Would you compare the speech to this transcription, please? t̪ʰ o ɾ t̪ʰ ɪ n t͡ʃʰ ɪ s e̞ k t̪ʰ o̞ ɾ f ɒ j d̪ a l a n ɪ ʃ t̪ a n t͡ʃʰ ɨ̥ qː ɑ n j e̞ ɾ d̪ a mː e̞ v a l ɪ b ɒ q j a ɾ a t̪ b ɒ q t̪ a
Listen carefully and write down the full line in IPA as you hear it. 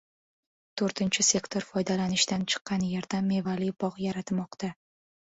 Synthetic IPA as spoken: t̪ʰ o ɾ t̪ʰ ɪ n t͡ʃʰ ɪ s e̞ k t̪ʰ o̞ ɾ f ɒ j d̪ a l a n ɪ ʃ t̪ a n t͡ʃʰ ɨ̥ qː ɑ n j e̞ ɾ d̪ a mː e̞ v a l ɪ b ɒ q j a ɾ a t̪ m ɒ q t̪ a